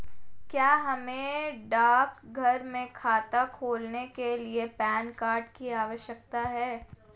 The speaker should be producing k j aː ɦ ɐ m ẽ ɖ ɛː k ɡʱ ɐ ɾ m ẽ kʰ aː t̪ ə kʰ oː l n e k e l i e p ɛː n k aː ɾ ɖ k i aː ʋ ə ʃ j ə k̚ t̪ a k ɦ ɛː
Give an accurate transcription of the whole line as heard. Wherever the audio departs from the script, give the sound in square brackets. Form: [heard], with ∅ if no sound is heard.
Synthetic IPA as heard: k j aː ɦ ɐ m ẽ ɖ [aː] k ɡʱ ɐ ɾ m ẽ kʰ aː t̪ [a] kʰ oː l n e k e l i e p ɛː n k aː ɾ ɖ k i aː ʋ ə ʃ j ə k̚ t̪ a [∅] ɦ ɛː